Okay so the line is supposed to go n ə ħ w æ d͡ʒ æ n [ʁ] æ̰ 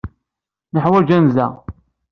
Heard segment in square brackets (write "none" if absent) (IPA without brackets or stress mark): z